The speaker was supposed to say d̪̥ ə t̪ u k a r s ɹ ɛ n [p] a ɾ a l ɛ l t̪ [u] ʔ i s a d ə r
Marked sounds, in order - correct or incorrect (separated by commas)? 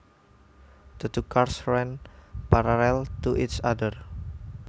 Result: correct, correct